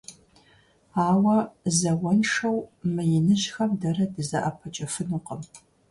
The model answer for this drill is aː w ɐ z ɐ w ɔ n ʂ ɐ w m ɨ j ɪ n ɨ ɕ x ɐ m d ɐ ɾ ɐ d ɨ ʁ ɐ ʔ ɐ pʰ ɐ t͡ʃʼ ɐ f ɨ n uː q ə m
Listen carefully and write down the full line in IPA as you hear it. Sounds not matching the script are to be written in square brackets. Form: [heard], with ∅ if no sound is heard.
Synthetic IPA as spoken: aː w ɐ z ɐ w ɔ n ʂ ɐ w m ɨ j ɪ n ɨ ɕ x ɐ m d ɐ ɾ ɐ d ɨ [z] ɐ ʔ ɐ pʰ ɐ t͡ʃʼ ɐ f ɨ n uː q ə m